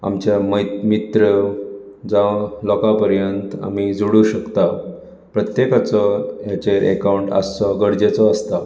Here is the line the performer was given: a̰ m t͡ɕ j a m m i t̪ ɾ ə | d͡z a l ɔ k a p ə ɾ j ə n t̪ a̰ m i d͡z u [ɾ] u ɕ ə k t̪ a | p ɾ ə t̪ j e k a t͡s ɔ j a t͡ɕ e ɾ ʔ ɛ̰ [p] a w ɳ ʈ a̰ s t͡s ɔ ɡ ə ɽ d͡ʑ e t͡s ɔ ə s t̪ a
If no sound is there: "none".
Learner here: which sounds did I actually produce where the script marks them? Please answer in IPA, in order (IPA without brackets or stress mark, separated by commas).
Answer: ɽ, k